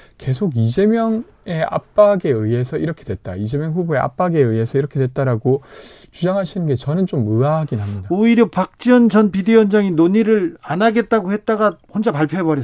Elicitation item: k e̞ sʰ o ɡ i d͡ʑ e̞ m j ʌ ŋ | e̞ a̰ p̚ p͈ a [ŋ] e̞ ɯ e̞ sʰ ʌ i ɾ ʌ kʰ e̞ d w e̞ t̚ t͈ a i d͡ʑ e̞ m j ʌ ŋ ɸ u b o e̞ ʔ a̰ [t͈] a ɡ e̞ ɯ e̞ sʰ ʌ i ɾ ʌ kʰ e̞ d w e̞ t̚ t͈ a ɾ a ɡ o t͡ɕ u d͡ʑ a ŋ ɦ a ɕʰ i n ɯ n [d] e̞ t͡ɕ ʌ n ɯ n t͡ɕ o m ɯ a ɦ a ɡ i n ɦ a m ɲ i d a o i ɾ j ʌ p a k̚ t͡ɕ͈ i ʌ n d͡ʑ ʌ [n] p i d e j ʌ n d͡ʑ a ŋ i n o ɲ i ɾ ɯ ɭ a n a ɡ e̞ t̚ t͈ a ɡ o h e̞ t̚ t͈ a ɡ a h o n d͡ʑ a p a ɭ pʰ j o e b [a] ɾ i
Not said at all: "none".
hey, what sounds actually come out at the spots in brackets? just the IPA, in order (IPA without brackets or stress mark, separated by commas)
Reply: ɡ, p͈, ɡ, n, ʌ